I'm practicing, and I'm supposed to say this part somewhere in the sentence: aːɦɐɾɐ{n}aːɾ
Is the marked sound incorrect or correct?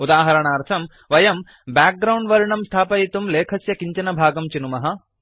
incorrect